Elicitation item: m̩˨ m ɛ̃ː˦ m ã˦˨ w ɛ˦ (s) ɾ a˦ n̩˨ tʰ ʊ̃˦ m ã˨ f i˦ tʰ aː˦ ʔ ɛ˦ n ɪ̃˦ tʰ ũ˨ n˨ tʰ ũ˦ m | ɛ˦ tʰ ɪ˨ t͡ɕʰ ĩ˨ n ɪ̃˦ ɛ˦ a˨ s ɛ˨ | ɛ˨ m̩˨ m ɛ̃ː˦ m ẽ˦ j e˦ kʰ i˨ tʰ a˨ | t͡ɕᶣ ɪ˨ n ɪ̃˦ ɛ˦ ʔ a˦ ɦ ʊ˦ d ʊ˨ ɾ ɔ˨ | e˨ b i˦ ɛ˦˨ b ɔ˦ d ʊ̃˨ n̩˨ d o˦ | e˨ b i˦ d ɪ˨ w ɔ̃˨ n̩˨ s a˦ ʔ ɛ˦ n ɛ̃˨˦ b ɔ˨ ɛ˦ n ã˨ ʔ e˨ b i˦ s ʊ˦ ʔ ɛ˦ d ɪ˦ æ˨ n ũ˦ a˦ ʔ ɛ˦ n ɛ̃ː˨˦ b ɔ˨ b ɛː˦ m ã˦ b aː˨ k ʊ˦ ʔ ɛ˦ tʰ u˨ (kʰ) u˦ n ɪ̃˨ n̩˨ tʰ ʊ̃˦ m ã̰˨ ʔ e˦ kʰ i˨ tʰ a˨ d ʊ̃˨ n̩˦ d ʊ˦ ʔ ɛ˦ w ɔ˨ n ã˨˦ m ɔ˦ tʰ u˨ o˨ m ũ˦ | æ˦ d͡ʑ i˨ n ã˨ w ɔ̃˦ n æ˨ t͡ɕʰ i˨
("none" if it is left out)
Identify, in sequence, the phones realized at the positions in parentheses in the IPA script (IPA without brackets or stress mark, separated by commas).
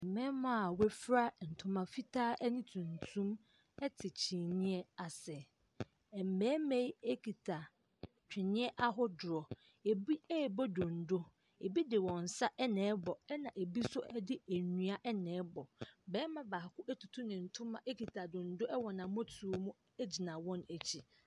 f, tʰ